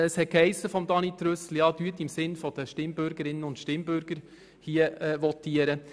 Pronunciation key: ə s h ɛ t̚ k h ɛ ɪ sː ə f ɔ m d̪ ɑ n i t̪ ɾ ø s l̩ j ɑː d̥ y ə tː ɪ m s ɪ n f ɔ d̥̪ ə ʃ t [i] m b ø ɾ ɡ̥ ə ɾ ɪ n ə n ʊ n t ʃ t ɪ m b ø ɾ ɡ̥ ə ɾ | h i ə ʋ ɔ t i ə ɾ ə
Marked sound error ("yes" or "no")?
yes